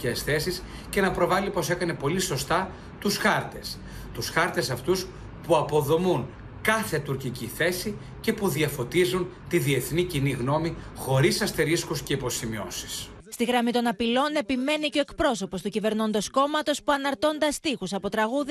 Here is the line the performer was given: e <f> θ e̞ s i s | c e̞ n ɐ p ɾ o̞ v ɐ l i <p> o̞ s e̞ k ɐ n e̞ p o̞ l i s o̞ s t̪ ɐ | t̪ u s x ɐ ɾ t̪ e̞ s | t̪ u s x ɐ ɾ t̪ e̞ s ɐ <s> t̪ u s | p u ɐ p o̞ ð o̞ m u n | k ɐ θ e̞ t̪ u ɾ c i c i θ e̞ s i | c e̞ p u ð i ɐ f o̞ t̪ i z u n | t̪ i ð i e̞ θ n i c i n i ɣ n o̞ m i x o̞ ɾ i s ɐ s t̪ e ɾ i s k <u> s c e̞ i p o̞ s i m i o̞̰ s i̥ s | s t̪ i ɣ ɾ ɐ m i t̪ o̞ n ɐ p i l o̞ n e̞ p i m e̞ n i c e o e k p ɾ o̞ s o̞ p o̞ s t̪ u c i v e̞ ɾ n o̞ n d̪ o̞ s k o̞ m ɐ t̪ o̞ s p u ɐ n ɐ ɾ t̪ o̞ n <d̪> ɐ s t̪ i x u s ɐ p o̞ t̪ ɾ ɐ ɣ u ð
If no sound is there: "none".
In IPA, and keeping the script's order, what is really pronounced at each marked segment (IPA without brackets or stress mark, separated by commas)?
s, p, f, u, d̪